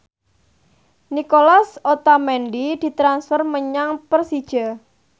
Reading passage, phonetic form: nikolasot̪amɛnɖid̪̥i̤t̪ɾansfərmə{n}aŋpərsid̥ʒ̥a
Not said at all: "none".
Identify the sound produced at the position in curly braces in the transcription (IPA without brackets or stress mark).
ɲ